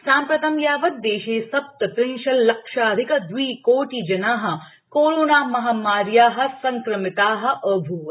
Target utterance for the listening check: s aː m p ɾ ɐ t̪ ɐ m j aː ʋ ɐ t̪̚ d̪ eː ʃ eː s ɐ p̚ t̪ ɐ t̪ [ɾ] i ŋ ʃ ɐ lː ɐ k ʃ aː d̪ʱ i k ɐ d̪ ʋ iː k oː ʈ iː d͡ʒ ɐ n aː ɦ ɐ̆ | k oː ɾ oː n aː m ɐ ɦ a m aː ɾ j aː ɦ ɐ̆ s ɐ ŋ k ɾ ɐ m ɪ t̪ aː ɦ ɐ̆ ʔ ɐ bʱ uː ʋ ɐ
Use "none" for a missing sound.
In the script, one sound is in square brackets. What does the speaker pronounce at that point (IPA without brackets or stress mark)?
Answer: ɾ